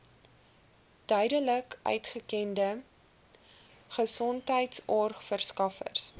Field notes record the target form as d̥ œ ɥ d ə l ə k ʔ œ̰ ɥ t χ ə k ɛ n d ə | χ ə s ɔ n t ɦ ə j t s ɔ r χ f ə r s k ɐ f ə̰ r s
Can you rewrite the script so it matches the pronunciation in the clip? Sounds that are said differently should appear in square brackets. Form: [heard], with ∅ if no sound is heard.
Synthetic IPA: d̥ œ ɥ d ə l ə k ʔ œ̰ ɥ t χ ə k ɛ n d ə | χ ə s ɔ n t ɦ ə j t s ɔ r χ f ə r s k ɐ f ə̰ r s